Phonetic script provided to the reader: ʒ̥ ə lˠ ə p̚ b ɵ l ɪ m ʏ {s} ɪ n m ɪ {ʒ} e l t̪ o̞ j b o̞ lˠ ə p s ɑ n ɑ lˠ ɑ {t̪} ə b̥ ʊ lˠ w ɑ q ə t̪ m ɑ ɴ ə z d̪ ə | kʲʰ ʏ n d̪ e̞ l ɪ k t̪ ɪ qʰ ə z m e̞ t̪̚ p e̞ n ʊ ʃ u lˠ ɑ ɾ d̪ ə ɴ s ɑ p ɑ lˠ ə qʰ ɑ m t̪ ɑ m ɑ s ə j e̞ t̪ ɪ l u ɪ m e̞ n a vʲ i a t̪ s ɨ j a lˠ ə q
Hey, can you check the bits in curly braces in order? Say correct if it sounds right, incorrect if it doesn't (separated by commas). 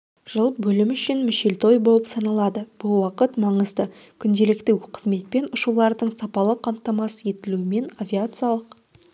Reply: incorrect, incorrect, incorrect